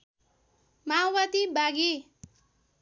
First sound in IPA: m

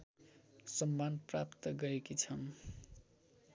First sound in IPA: s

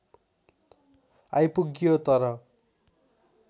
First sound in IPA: a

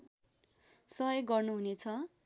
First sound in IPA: s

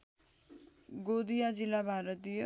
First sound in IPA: ɡ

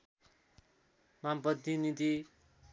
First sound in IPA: m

